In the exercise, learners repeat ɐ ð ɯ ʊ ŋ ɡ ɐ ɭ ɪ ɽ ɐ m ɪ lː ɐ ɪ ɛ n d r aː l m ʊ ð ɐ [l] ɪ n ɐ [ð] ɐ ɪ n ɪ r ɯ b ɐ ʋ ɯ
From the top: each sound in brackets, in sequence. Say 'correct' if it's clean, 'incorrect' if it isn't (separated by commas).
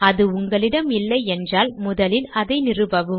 correct, correct